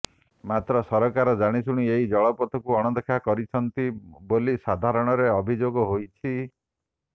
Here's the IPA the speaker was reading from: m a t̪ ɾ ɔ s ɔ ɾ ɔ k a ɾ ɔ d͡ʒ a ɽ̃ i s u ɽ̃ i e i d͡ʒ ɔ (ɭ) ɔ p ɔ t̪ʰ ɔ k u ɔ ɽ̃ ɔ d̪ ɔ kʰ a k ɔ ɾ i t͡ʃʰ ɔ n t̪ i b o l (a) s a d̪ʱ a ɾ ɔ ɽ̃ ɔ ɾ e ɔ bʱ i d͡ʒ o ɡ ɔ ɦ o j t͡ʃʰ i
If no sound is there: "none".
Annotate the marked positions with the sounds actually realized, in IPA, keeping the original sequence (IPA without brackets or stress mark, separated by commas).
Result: ɭ, i